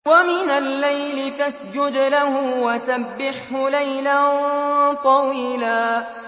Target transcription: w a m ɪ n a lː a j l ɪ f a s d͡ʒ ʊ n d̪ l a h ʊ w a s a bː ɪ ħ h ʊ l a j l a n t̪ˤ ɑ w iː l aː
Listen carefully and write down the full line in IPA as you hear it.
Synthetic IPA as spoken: w a m ɪ n a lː a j l ɪ f a s d͡ʒ ʊ d̪ l a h ʊ w a s a bː ɪ ħ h ʊ l a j l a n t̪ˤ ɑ w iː l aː